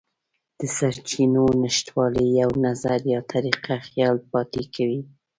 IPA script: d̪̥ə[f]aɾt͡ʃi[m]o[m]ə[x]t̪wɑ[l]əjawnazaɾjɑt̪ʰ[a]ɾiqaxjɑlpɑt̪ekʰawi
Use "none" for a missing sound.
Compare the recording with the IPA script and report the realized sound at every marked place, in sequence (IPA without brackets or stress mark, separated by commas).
s, n, n, ʃ, l, a